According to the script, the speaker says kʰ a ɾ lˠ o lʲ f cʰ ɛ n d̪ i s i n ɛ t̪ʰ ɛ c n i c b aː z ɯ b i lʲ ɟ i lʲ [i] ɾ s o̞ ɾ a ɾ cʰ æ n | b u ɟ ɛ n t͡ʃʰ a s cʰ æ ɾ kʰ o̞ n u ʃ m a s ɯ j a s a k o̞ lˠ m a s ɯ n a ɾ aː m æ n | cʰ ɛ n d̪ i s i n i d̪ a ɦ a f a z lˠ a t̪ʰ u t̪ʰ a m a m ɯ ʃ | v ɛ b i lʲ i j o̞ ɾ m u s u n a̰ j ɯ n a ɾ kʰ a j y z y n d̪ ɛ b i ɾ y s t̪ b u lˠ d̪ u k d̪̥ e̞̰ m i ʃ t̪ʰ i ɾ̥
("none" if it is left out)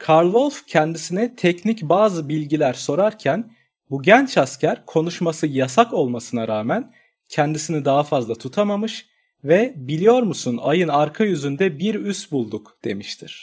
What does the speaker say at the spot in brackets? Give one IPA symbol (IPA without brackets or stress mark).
æ